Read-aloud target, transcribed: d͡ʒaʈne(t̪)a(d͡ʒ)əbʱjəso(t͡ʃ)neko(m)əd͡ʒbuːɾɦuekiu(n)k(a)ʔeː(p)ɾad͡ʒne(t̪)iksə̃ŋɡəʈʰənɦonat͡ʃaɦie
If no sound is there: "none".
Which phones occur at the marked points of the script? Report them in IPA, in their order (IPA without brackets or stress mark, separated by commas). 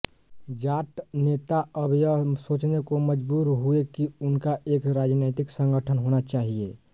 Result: t̪, none, t͡ʃ, m, n, a, k, t̪